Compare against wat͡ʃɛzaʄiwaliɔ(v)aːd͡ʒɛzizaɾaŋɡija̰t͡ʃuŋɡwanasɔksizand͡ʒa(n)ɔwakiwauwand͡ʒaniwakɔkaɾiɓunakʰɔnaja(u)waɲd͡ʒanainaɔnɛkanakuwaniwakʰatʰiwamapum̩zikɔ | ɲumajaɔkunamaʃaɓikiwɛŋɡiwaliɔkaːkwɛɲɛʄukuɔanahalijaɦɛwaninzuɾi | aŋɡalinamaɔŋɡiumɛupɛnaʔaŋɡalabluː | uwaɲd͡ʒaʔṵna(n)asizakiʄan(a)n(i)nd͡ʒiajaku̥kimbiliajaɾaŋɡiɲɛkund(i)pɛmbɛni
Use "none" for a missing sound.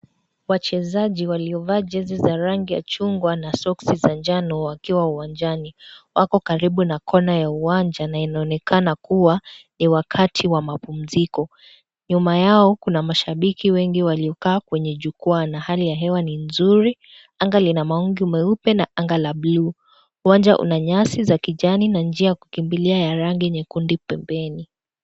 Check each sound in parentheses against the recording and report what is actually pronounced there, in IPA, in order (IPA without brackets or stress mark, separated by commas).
v, n, u, ɲ, i, a, i